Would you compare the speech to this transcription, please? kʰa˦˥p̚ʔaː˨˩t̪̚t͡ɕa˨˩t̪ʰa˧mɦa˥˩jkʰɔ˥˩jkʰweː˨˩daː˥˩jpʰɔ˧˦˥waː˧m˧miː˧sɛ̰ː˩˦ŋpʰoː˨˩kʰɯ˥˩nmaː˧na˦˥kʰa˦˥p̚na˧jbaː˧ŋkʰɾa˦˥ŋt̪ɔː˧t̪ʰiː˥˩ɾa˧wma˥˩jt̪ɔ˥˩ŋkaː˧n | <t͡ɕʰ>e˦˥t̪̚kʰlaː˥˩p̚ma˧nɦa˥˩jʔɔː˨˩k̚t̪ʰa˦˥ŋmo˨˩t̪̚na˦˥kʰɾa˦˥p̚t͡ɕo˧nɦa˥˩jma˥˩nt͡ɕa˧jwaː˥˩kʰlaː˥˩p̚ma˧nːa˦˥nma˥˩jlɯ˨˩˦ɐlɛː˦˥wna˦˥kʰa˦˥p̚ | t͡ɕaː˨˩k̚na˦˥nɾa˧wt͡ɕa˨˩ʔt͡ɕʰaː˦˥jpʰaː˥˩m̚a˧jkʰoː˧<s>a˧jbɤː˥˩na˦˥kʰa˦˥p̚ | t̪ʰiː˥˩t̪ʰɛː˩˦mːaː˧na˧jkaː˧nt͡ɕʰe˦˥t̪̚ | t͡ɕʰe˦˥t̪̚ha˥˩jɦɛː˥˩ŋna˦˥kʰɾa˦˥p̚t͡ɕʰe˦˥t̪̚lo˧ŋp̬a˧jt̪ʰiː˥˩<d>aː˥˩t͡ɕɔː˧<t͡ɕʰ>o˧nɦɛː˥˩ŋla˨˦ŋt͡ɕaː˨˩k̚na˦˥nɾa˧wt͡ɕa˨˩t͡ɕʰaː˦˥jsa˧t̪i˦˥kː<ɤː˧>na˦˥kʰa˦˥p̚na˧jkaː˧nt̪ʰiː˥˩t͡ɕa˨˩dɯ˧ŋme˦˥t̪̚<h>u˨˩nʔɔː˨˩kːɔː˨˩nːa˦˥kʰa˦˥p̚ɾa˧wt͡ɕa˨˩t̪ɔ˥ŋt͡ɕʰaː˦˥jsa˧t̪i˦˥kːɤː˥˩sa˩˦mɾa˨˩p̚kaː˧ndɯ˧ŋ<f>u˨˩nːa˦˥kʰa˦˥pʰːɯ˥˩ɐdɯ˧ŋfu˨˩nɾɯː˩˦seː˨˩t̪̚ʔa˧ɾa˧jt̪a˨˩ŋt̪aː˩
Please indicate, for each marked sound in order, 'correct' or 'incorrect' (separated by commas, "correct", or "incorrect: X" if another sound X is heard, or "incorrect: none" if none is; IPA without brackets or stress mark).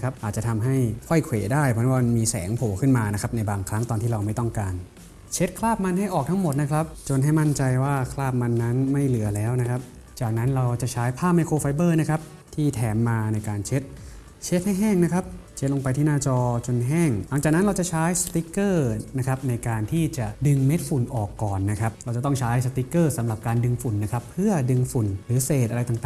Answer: correct, incorrect: f, incorrect: n, incorrect: t͡ɕ, incorrect: ɤː˥˩, incorrect: f, correct